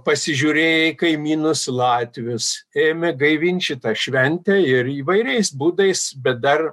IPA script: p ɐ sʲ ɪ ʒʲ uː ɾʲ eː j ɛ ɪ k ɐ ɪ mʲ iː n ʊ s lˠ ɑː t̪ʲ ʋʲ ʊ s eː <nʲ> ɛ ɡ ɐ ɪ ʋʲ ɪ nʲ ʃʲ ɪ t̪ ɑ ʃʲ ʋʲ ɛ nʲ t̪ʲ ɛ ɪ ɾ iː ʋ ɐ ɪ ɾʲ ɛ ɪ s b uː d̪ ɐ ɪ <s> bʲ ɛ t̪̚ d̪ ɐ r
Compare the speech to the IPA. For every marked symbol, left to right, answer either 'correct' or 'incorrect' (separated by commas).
incorrect, correct